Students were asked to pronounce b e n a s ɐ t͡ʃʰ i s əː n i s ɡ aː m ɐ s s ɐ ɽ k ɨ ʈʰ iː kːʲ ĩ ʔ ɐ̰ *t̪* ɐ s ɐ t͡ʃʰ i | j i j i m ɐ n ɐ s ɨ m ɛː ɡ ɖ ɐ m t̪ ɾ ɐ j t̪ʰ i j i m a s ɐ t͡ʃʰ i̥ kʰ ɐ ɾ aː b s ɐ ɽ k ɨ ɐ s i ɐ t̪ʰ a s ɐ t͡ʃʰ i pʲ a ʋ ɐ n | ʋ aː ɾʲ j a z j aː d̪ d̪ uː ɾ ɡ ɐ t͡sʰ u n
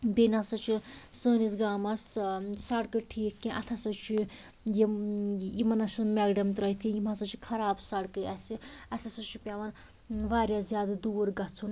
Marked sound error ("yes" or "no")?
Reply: yes